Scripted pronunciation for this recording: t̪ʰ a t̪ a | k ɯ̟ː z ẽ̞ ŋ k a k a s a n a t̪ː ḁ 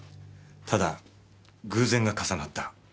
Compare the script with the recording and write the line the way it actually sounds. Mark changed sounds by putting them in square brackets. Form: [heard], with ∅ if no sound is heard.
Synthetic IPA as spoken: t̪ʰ a [d̪] a | [ɡ] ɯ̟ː z ẽ̞ ŋ [ɡ] a k a s a n a t̪ː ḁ